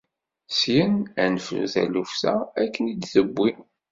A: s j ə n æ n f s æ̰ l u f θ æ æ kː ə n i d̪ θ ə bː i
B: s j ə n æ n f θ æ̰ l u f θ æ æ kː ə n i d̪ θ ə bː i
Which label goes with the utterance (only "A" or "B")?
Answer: B